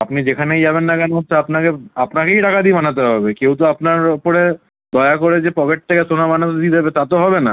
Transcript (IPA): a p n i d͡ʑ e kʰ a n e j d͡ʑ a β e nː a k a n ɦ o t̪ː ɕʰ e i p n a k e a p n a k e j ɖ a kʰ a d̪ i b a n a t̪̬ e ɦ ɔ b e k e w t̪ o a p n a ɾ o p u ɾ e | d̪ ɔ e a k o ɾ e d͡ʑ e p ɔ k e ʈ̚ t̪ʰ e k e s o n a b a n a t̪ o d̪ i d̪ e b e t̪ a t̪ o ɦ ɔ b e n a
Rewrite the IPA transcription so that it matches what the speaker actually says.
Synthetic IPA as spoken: a p n i d͡ʑ e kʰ a n e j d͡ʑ a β e nː a k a n ɦ o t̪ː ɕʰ e a p n a k e a p n a k e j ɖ a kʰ a d̪ i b a n a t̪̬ e ɦ ɔ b e k e w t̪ o a p n a ɾ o p o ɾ e | d̪ ɔ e a k o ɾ e d͡ʑ e p ɔ k e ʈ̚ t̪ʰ e k e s o n a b a n a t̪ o d̪ i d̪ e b e t̪ a t̪ o ɦ ɔ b e n a